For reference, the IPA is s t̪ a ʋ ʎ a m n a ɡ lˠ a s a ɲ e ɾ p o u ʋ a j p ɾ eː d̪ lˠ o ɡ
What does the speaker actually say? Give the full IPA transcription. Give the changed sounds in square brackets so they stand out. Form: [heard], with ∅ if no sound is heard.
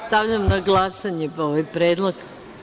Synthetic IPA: s t̪ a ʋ ʎ a m n a ɡ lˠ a s a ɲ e [∅] p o [o] ʋ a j p ɾ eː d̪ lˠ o ɡ